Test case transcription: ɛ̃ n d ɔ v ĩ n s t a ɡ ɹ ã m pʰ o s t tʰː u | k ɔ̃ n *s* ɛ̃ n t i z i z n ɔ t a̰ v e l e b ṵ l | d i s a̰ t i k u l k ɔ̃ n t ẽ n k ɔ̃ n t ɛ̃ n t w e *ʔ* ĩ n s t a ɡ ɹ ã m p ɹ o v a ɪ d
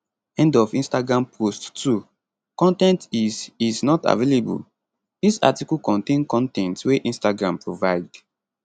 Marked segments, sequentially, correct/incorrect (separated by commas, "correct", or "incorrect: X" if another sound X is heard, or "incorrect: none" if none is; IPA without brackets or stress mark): incorrect: t, correct